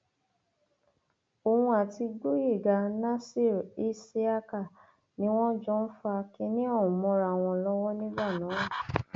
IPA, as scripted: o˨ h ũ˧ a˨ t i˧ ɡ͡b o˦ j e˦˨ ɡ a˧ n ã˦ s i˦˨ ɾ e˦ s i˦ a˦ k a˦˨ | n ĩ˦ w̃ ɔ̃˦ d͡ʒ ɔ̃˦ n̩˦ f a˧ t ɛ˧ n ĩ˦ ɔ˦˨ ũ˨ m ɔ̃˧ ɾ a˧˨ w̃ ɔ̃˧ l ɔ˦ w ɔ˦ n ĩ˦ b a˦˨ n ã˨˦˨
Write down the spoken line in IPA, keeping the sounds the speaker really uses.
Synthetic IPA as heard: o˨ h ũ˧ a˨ t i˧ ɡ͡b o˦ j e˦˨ ɡ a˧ n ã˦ s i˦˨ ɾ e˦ s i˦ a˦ k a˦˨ | n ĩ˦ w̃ ɔ̃˦ d͡ʒ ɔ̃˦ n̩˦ f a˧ k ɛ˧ n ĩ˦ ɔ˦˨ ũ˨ m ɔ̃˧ ɾ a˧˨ w̃ ɔ̃˧ l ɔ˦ w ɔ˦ n ĩ˦ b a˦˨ n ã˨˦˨